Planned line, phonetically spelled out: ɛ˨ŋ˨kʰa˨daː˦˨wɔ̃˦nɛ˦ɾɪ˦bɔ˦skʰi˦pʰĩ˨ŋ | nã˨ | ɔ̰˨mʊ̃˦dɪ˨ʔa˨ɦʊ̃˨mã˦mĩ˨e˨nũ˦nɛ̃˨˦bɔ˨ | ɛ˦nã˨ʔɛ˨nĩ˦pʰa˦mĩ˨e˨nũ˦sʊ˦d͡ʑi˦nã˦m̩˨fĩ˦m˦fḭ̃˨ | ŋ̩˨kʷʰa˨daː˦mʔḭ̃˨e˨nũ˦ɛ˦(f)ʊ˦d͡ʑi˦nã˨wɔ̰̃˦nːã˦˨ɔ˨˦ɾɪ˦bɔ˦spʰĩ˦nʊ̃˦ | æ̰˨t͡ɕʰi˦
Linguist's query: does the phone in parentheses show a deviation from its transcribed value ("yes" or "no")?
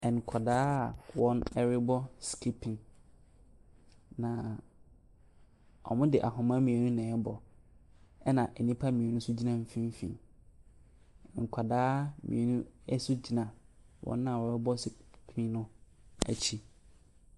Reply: yes